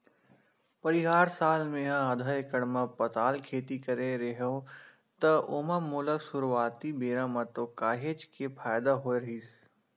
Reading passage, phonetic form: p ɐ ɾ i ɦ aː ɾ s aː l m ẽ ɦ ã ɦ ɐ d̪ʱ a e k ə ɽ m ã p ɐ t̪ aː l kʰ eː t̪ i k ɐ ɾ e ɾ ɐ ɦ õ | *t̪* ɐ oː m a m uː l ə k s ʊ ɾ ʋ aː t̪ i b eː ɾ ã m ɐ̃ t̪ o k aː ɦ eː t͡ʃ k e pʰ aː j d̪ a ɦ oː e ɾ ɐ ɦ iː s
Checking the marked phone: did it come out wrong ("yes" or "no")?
no